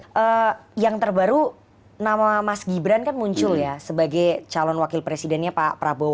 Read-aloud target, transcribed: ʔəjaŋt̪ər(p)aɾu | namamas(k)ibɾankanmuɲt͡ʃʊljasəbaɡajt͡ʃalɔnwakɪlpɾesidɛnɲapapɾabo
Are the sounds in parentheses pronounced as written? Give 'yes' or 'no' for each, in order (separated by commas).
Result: no, no